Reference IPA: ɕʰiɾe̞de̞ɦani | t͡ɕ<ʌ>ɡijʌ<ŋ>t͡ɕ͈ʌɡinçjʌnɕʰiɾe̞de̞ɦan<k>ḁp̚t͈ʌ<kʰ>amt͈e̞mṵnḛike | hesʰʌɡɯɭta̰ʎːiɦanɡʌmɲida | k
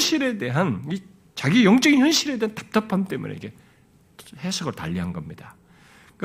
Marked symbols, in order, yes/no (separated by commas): no, yes, no, no